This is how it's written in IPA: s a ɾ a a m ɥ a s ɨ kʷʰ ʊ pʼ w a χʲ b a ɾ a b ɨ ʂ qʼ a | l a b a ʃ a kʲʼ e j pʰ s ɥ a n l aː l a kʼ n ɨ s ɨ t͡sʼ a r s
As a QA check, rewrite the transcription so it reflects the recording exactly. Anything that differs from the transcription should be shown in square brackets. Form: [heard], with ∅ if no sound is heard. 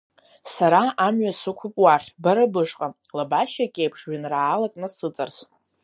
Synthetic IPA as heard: s a ɾ a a m ɥ a s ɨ kʷʰ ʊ pʼ w a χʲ b a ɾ a b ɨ ʂ qʼ a | l a b a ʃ a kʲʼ e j pʰ [ʂ] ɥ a n [r] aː l a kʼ n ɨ s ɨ t͡sʼ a r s